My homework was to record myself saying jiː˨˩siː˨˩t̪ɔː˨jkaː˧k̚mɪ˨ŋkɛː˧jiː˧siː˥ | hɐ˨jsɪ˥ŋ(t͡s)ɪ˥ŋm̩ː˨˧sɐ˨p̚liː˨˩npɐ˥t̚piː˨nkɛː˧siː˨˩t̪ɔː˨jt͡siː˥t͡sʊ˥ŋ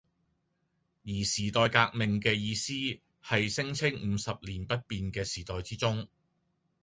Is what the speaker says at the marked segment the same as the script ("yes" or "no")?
no